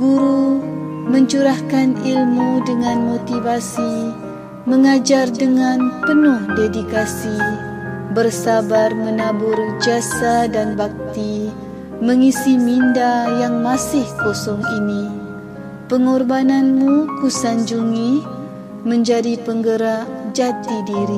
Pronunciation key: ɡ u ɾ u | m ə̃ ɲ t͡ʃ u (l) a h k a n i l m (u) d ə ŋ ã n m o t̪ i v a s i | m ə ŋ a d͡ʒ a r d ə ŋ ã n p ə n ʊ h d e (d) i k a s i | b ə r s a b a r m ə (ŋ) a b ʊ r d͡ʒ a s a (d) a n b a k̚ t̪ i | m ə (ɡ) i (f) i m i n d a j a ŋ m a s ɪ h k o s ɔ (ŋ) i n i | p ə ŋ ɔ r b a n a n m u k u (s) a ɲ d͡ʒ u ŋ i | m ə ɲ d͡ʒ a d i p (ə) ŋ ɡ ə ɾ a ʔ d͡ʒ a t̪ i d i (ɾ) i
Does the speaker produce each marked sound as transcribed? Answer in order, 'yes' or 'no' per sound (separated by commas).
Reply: no, yes, yes, no, yes, no, no, yes, yes, yes, yes